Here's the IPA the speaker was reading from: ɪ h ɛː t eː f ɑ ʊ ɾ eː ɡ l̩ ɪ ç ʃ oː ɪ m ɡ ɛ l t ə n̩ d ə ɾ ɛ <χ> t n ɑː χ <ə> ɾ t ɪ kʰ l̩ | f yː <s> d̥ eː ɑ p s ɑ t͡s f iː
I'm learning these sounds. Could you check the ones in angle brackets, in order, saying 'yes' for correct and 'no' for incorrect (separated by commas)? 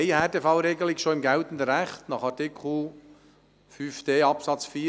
yes, no, no